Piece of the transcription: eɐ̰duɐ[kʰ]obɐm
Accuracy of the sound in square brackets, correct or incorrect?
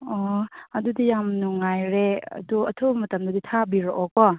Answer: incorrect